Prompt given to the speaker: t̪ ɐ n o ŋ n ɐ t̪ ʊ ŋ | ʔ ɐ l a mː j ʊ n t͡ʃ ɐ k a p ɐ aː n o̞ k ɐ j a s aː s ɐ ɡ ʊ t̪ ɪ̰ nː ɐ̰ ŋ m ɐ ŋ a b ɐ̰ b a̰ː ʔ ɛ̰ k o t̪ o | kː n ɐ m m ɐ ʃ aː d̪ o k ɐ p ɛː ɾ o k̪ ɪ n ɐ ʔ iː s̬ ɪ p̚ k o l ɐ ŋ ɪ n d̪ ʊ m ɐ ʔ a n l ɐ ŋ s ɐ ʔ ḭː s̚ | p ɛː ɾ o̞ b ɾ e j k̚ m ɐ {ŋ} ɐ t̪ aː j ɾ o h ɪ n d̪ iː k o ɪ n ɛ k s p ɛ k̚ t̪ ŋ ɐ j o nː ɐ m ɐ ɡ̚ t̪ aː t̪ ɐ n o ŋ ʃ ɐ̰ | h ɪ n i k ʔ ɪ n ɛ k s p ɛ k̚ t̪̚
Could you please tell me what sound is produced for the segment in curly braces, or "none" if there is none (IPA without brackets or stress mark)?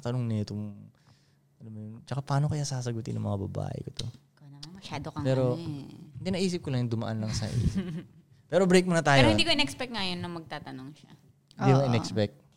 n